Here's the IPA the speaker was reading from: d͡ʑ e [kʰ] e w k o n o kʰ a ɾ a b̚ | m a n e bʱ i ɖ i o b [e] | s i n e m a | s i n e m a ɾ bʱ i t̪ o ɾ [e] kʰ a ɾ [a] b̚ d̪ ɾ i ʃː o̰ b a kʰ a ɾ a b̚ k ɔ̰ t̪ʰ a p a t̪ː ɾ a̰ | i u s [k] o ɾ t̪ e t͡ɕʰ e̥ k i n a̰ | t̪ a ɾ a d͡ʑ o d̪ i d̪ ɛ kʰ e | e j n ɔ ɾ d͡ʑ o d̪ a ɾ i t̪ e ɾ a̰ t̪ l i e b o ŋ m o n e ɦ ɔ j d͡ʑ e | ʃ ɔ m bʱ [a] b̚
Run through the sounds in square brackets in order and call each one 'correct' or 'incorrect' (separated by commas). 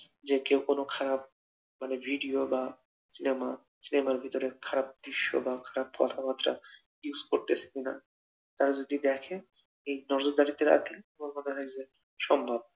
incorrect, incorrect, correct, correct, correct, correct